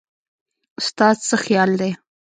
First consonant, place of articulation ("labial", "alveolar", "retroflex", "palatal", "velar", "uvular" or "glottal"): alveolar